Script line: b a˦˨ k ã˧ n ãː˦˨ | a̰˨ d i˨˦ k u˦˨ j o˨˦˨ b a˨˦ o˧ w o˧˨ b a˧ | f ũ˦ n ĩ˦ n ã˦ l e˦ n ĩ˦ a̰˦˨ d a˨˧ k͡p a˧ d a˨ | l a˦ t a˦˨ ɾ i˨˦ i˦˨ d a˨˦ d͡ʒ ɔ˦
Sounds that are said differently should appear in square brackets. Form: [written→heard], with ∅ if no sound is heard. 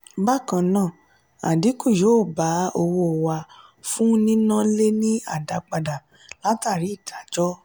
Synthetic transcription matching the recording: b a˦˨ k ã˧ n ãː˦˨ | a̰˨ d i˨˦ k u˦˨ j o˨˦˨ b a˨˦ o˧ w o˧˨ [b→w] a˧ | f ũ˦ n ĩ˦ n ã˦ l e˦ n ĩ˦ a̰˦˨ d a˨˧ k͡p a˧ d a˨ | l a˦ t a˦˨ ɾ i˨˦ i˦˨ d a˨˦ d͡ʒ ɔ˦